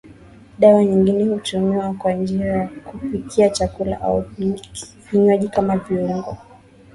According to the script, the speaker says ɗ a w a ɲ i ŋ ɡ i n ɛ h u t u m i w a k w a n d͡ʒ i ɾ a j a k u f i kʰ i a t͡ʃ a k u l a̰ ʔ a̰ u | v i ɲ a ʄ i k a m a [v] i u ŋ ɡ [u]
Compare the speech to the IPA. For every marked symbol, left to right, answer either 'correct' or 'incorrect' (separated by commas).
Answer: correct, incorrect